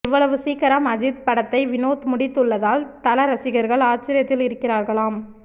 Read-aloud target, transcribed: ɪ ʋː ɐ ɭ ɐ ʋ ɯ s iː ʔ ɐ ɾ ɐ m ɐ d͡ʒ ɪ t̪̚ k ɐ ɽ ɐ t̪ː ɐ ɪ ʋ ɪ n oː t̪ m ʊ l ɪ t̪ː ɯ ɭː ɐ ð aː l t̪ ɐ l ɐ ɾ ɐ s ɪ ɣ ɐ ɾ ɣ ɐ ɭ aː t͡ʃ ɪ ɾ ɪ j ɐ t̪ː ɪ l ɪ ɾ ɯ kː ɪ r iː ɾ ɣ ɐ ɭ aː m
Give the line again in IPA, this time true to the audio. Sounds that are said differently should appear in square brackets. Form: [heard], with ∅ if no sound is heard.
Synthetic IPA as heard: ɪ ʋː ɐ ɭ ɐ ʋ ɯ s iː [k] ɐ ɾ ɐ m ɐ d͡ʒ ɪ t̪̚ [p] ɐ ɽ ɐ t̪ː ɐ ɪ ʋ ɪ n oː t̪ m ʊ [ɽ] ɪ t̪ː ɯ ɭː ɐ ð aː l t̪ ɐ l ɐ ɾ ɐ s ɪ ɣ ɐ ɾ ɣ ɐ ɭ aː t͡ʃ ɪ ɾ ɪ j ɐ t̪ː ɪ l ɪ ɾ ɯ kː ɪ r [aː] ɾ ɣ ɐ ɭ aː m

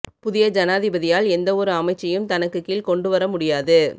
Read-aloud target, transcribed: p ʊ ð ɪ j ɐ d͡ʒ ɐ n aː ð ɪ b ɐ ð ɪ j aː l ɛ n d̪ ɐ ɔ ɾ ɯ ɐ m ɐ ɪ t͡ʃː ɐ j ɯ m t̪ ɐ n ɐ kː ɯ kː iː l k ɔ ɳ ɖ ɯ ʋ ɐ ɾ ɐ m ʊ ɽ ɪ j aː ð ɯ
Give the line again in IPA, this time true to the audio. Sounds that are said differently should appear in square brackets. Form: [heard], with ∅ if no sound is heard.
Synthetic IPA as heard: p ʊ ð ɪ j ɐ d͡ʒ ɐ n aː ð ɪ b ɐ ð ɪ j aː l ɛ n d̪ ɐ ɔ ɾ ɯ ɐ m ɐ ɪ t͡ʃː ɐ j ɯ m t̪ ɐ n ɐ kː ɯ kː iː l k ɔ ɳ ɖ ɯ ʋ ɐ ɾ ɐ m ʊ ɽ ɪ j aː ð ɯ

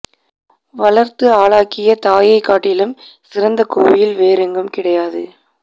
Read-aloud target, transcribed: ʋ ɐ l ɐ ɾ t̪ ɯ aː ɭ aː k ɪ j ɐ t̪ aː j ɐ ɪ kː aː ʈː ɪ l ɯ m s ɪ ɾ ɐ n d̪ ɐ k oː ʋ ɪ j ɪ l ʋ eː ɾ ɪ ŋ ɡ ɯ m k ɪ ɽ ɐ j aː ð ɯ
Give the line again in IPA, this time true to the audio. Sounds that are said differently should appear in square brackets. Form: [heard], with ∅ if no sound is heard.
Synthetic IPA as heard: ʋ ɐ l ɐ ɾ t̪ ɯ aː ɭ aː k ɪ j ɐ t̪ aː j ɐ ɪ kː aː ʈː ɪ l ɯ m s ɪ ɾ ɐ n d̪ ɐ k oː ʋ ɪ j ɪ l ʋ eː ɾ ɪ ŋ ɡ ɯ m k ɪ ɽ ɐ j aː ð ɯ

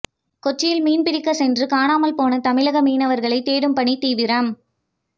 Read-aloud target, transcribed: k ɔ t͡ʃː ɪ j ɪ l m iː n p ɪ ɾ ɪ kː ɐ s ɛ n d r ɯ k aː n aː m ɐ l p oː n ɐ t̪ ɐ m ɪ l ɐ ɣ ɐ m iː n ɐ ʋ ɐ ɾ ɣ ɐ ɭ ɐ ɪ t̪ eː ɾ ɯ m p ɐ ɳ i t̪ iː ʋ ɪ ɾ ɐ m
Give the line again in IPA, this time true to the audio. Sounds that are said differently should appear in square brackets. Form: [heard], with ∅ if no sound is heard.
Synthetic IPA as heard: k ɔ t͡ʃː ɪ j ɪ l m iː n p ɪ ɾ ɪ kː ɐ s ɛ n d r ɯ k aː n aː m ɐ l p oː n ɐ t̪ ɐ m ɪ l ɐ ɣ ɐ m iː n ɐ ʋ ɐ ɾ ɣ ɐ ɭ ɐ ɪ t̪ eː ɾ ɯ m p ɐ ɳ i t̪ iː ʋ ɪ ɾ ɐ m

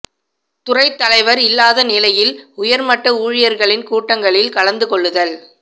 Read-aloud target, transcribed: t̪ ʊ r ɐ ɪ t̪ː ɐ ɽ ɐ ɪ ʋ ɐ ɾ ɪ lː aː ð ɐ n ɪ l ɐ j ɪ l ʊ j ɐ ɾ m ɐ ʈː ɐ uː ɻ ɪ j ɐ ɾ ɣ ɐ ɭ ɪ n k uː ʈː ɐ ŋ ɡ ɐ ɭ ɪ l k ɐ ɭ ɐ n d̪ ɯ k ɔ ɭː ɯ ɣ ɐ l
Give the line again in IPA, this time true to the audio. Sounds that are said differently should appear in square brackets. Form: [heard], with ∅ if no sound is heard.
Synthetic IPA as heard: t̪ ʊ r ɐ ɪ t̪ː ɐ [l] ɐ ɪ ʋ ɐ ɾ ɪ lː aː ð ɐ n ɪ l ɐ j ɪ l ʊ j ɐ ɾ m ɐ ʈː ɐ uː ɻ ɪ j ɐ ɾ ɣ ɐ ɭ ɪ n k uː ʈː ɐ ŋ ɡ ɐ ɭ ɪ l k ɐ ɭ ɐ n d̪ ɯ k ɔ ɭː ɯ [ð] ɐ l

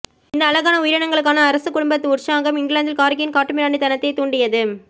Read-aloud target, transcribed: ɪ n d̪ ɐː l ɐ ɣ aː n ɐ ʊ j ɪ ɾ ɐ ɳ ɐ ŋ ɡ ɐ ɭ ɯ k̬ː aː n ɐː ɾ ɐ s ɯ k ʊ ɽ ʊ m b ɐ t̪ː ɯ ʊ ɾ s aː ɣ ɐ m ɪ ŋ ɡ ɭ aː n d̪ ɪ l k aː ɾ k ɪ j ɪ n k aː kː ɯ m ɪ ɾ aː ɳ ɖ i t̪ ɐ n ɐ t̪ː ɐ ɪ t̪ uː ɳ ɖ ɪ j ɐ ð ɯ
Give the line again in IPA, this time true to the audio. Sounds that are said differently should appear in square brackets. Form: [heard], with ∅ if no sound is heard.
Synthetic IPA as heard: ɪ n d̪ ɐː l ɐ ɣ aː n ɐ ʊ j ɪ ɾ ɐ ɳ ɐ ŋ ɡ ɐ ɭ ɯ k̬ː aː n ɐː ɾ ɐ s ɯ k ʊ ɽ ʊ m b ɐ t̪ː ɯ ʊ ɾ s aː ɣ ɐ m ɪ ŋ ɡ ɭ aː n d̪ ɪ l k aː ɾ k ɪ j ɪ n k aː [ʈː] ɯ m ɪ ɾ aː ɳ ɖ i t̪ ɐ n ɐ t̪ː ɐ ɪ t̪ uː ɳ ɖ ɪ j ɐ ð ɯ

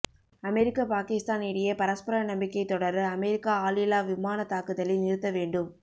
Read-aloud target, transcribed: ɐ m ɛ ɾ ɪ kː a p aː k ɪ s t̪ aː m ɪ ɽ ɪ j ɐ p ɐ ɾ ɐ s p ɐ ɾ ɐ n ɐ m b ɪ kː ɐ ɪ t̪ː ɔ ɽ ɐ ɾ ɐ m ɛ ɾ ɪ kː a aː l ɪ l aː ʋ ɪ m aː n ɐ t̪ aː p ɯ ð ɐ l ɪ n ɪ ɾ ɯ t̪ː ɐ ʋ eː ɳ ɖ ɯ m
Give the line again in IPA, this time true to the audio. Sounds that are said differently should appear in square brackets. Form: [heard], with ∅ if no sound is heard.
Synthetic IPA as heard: ɐ m ɛ ɾ ɪ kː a p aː k ɪ s t̪ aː [n] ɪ ɽ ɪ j ɐ p ɐ ɾ ɐ s p ɐ ɾ ɐ n ɐ m b ɪ kː ɐ ɪ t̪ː ɔ ɽ ɐ ɾ ɐ m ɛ ɾ ɪ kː a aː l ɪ l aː ʋ ɪ m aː n ɐ t̪ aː [k] ɯ ð ɐ l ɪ n ɪ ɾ ɯ t̪ː ɐ ʋ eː ɳ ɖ ɯ m

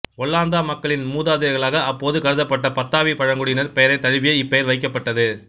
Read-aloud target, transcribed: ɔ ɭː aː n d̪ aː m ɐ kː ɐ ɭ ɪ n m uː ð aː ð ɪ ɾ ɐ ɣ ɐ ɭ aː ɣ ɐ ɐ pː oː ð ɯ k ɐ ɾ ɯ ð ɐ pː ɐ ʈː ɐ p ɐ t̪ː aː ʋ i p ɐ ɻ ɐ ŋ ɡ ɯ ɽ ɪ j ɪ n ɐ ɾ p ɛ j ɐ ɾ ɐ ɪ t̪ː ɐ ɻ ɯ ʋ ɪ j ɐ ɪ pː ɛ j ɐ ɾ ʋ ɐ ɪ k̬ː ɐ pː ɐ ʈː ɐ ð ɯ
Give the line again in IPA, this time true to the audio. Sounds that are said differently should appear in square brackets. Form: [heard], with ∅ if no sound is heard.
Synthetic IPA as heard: ɔ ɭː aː n d̪ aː m ɐ kː ɐ ɭ ɪ n m uː ð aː ð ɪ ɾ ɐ ɣ ɐ ɭ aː ɣ ɐ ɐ pː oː ð ɯ k ɐ ɾ ɯ ð ɐ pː ɐ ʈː ɐ p ɐ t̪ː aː ʋ i p ɐ ɻ ɐ ŋ ɡ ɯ ɽ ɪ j ɪ n ɐ ɾ p ɛ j ɐ ɾ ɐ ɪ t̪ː ɐ ɻ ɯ ʋ ɪ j ɐ ɪ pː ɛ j ɐ ɾ ʋ ɐ ɪ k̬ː ɐ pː ɐ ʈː ɐ ð ɯ

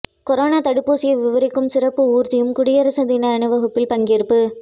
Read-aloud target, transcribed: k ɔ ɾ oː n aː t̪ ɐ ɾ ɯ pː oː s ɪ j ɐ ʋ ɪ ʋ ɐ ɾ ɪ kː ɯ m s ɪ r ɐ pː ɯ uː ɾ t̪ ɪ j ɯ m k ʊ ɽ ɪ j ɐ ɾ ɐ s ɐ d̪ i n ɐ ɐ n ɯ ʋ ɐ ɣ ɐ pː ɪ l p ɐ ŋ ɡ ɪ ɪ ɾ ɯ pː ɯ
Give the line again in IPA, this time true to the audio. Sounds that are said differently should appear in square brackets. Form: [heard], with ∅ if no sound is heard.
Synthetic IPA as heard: k ɔ ɾ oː n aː t̪ ɐ [ɽ] ɯ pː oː s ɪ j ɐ ʋ ɪ ʋ ɐ ɾ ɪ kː ɯ m s ɪ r ɐ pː ɯ uː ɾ t̪ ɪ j ɯ m k ʊ ɽ ɪ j ɐ ɾ ɐ s ɐ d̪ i n ɐ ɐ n ɯ ʋ ɐ ɣ ɐ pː ɪ l p ɐ ŋ ɡ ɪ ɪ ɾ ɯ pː ɯ

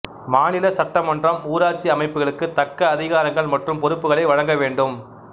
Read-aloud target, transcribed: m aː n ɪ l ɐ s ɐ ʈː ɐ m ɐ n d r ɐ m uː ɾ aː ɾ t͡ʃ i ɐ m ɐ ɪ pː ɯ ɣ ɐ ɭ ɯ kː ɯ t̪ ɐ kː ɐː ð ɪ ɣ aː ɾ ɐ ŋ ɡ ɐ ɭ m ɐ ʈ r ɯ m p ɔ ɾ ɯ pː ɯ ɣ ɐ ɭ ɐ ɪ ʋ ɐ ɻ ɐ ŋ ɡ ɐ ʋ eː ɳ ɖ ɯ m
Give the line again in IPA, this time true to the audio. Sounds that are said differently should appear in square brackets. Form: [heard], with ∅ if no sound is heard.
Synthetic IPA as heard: m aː n ɪ l ɐ s ɐ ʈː ɐ m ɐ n d r ɐ m uː ɾ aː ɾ t͡ʃ i ɐ m ɐ ɪ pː ɯ ɣ ɐ ɭ ɯ kː ɯ t̪ ɐ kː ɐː ð ɪ ɣ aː ɾ ɐ ŋ ɡ ɐ ɭ m ɐ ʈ r ɯ m p ɔ ɾ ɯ pː ɯ ɣ ɐ ɭ ɐ ɪ ʋ ɐ ɻ ɐ ŋ ɡ ɐ ʋ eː ɳ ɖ ɯ m

